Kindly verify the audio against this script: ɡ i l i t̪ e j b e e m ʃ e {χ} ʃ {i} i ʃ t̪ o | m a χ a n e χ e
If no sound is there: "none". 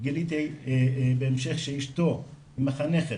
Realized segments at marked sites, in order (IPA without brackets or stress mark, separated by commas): χ, e